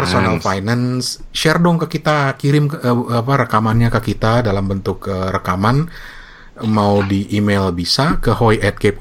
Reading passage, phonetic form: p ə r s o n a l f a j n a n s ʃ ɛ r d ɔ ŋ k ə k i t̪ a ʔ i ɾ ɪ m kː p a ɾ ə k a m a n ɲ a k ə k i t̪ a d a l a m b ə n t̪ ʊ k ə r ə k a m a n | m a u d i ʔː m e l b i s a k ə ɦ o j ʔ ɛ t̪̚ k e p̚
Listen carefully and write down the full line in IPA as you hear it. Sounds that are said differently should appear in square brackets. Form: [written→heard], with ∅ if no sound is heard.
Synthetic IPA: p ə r s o n a l f a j n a n s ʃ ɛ r d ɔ ŋ k ə k i t̪ a [ʔ→k] i ɾ ɪ m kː p a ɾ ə k a m a n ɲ a k ə k i t̪ a d a l a m b ə n t̪ ʊ k ə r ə k a m a n | m a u d i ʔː m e l b i s a k ə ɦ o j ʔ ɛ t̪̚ k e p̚